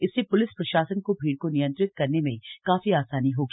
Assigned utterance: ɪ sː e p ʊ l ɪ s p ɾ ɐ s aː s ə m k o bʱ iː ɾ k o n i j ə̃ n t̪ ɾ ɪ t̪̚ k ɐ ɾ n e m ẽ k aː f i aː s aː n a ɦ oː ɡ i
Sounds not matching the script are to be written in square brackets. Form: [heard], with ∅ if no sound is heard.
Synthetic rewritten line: ɪ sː e p ʊ l ɪ s p ɾ ɐ [ʃ] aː s ə [n] k o bʱ iː [ɽ] k o n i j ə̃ n t̪ ɾ ɪ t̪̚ k ɐ ɾ n e m ẽ k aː f i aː s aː n [i] ɦ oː ɡ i